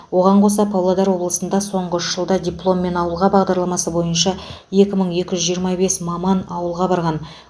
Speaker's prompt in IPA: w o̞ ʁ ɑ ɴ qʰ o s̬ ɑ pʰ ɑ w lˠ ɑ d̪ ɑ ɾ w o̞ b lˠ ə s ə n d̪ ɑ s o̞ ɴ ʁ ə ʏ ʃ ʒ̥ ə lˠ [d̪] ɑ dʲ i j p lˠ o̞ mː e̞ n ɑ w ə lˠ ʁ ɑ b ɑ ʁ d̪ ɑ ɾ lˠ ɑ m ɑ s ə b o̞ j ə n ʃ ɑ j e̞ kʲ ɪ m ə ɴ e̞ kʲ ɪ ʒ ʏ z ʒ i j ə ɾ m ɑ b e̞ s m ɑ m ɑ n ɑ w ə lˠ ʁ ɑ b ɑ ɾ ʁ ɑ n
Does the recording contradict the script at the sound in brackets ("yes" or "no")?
no